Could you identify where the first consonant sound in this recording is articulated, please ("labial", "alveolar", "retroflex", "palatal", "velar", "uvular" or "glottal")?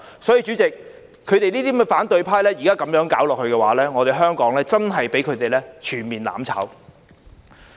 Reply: alveolar